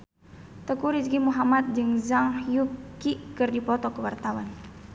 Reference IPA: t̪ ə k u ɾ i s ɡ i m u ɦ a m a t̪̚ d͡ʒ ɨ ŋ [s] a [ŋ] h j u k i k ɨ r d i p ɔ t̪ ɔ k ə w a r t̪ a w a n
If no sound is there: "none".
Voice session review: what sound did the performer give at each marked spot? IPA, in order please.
z, ŋ

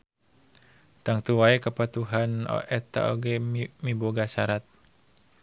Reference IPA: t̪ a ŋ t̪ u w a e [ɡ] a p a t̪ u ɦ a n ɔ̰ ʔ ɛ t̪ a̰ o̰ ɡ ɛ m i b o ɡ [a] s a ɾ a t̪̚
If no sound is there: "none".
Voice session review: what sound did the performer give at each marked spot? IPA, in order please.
k, a

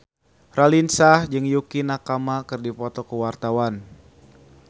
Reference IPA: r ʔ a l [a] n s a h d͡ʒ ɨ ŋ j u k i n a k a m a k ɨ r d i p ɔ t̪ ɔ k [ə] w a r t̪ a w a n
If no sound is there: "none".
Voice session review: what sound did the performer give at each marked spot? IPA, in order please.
i, ə

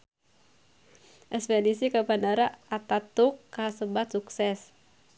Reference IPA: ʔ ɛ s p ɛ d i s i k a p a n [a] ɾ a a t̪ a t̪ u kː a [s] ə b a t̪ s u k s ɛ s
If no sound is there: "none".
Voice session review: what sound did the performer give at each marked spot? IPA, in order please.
a, s

